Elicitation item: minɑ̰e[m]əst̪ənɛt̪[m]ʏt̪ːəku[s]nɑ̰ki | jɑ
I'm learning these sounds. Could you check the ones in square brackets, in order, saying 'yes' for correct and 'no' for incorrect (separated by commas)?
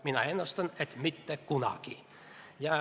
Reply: no, yes, no